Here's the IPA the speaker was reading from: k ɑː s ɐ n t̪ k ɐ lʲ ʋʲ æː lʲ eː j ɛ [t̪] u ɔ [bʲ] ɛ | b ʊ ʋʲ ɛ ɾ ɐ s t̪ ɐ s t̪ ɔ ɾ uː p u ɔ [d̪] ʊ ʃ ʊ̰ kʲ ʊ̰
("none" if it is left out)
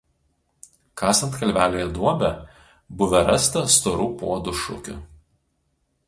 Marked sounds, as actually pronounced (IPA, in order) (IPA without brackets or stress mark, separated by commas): d̪, bʲ, d̪